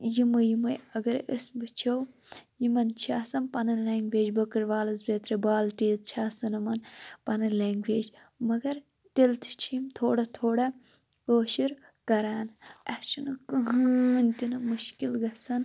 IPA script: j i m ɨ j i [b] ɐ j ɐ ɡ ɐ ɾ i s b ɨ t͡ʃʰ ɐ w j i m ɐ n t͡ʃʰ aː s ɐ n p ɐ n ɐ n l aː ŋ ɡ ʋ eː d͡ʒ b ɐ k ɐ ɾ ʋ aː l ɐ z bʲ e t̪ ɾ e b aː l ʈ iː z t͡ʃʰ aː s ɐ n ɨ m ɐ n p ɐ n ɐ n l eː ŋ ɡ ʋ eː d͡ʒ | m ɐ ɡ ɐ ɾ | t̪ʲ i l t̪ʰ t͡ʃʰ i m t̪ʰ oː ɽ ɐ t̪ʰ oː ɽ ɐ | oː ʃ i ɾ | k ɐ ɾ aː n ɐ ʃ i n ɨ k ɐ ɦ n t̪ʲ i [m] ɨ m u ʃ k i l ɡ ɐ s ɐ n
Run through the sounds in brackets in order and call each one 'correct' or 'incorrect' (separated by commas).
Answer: incorrect, incorrect